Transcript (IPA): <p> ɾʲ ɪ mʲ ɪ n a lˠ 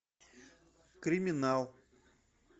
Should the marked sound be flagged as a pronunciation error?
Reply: yes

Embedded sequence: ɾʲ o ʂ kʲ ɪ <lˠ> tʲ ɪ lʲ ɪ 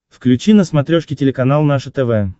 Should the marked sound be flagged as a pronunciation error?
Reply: yes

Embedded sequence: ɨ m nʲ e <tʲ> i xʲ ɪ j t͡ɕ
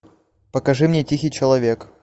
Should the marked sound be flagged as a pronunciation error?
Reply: no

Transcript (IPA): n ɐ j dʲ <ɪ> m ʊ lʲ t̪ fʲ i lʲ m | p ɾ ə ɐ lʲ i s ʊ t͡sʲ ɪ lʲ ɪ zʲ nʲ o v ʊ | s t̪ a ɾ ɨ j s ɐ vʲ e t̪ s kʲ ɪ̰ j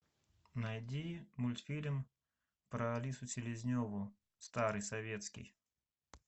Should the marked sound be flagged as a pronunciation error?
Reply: yes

